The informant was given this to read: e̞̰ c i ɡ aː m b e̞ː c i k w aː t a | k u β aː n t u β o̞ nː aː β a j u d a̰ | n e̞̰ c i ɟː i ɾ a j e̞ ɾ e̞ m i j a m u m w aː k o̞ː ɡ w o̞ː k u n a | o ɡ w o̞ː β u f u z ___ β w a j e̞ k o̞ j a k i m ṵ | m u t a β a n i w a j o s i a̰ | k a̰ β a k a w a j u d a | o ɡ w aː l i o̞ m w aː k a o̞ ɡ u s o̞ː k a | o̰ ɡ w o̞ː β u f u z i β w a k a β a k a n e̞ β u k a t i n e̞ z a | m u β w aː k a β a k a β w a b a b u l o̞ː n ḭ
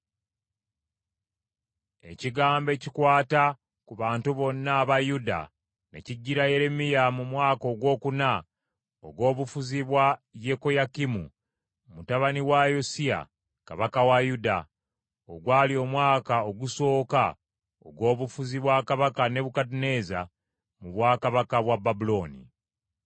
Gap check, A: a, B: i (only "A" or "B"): B